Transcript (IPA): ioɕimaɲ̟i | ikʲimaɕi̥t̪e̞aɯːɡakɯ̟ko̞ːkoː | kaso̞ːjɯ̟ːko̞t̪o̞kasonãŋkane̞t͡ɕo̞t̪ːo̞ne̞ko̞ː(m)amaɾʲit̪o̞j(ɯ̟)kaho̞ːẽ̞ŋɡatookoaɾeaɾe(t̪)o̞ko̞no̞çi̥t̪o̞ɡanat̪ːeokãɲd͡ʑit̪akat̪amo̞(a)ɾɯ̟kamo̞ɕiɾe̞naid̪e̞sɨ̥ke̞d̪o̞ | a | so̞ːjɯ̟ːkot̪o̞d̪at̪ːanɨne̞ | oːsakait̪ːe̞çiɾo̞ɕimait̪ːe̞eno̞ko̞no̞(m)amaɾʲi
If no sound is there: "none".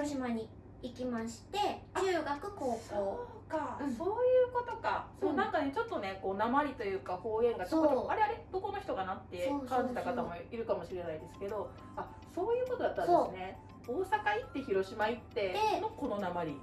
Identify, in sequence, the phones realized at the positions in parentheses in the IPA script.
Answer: n, ɯ̟ː, d̪, i, n

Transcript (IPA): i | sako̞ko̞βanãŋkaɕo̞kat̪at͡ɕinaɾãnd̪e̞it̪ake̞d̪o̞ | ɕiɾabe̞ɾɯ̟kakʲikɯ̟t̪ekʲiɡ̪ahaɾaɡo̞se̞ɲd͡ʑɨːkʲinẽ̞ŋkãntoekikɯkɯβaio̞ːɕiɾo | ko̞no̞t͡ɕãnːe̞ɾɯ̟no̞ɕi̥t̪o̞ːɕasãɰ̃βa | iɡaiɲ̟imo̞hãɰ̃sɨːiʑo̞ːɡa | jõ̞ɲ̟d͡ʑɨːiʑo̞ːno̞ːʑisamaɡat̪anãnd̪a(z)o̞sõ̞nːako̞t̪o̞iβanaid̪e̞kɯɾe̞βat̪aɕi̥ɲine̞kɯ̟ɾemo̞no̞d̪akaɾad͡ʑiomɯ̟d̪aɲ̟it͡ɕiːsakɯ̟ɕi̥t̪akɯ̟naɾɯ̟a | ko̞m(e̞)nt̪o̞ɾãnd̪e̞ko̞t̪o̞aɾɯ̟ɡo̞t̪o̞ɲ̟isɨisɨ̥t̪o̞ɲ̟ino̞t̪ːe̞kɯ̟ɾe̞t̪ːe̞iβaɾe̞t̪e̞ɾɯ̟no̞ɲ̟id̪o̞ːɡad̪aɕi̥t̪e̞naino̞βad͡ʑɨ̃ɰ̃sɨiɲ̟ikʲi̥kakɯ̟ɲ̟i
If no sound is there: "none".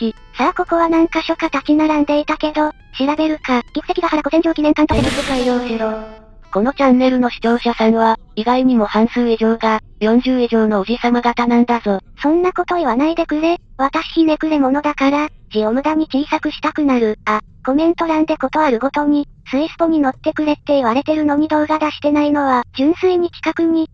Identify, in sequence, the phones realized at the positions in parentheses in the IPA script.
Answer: z, ẽ̞

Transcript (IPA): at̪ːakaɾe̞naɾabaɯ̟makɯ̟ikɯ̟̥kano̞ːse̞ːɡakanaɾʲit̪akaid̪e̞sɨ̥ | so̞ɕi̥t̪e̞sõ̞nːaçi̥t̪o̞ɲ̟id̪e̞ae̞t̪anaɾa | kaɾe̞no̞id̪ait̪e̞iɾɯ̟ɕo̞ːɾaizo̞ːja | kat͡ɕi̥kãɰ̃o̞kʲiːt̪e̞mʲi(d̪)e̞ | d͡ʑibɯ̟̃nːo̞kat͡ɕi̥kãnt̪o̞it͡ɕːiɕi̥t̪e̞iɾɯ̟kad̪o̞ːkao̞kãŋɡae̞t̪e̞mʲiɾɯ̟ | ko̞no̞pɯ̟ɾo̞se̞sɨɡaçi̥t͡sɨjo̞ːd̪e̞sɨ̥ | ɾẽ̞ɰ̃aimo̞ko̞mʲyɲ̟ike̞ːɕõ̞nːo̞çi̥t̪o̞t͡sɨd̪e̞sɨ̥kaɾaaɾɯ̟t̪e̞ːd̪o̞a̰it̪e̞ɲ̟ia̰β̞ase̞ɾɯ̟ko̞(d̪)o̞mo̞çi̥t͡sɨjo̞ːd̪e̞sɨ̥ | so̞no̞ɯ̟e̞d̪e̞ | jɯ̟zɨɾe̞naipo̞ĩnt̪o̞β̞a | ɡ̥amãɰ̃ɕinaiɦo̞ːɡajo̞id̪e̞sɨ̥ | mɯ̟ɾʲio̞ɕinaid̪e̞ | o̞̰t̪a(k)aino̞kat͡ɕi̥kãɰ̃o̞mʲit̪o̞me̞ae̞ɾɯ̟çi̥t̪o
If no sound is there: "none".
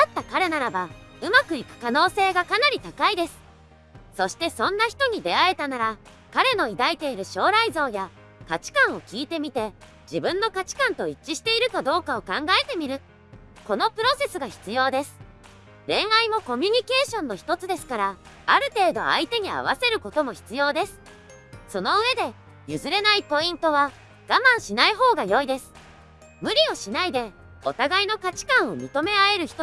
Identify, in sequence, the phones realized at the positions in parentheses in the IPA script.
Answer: t̪, t̪, ɡ

